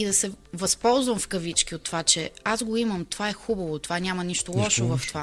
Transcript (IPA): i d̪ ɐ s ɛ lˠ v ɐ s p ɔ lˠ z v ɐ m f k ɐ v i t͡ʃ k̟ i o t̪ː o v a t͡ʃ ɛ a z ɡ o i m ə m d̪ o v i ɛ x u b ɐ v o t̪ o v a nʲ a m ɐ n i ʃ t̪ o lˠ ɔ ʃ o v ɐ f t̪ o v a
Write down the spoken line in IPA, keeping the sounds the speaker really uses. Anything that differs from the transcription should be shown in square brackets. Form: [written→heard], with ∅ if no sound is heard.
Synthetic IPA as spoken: i d̪ ɐ s ɛ [lˠ→∅] v ɐ s p ɔ lˠ z v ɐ m f k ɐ v i t͡ʃ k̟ i o t̪ː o v a t͡ʃ ɛ a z ɡ o i m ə m [d̪→t̪] o v [i→a] ɛ x u b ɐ v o t̪ o v a nʲ a m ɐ n i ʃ t̪ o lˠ ɔ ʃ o v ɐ f t̪ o v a